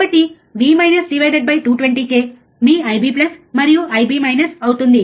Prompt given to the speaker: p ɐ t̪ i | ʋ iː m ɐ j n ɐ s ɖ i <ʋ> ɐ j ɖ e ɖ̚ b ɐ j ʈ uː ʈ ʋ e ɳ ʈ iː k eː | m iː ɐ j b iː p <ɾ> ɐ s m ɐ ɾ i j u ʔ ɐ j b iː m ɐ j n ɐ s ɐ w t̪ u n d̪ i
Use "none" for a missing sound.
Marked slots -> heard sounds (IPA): ʋ, l

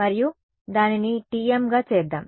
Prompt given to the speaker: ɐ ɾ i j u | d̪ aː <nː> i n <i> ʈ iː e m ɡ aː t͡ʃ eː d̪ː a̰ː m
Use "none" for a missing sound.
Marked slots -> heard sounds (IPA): n, i

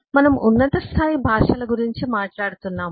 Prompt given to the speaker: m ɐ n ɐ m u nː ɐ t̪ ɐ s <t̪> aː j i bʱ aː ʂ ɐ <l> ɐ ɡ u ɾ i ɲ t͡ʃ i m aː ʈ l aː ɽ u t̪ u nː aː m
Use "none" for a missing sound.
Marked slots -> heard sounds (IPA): t̪ʰ, l

